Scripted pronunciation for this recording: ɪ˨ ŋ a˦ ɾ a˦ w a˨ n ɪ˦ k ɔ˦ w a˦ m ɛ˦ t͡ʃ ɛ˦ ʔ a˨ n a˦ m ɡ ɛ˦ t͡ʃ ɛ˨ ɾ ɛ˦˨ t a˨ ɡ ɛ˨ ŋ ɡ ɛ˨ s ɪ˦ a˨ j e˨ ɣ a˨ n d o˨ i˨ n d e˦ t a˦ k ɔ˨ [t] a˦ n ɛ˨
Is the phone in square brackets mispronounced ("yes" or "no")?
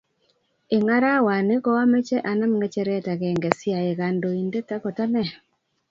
no